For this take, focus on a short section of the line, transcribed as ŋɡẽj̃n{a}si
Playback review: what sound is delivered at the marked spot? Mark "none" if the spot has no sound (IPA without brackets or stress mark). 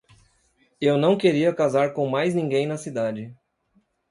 ɐ